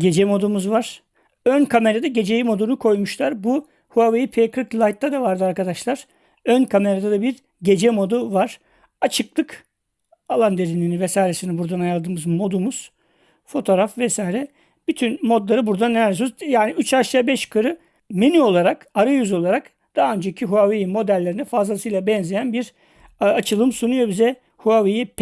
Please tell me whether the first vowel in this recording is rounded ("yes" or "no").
no